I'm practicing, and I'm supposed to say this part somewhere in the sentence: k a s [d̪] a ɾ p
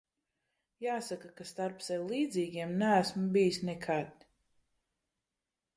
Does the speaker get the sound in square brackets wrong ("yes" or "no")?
yes